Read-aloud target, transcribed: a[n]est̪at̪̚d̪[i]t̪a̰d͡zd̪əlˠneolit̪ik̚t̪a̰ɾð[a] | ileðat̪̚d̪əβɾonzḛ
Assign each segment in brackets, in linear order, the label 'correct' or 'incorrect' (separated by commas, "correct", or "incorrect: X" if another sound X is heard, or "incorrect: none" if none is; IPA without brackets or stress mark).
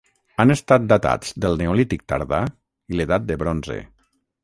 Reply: correct, incorrect: a, correct